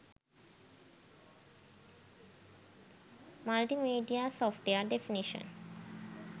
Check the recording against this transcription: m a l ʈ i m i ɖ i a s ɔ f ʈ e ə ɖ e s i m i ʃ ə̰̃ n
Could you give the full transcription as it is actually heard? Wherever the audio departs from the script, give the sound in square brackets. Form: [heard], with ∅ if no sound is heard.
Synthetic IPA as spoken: m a l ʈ i m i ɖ i a s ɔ f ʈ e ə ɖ e [f] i [n] i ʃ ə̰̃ n